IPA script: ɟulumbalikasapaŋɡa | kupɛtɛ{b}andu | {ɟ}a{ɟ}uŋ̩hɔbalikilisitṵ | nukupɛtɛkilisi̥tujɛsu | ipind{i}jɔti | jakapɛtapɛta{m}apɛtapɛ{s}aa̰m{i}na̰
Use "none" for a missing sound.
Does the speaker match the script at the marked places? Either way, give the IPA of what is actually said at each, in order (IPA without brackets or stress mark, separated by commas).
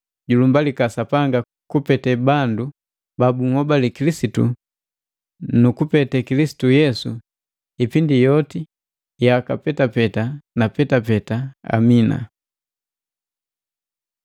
b, b, b, i, n, t, i